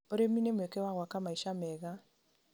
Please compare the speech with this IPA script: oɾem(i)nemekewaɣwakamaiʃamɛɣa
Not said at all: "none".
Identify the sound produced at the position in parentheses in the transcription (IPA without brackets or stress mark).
i